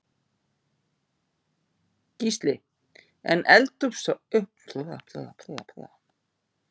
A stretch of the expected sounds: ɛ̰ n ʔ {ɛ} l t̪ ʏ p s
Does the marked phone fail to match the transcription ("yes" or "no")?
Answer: no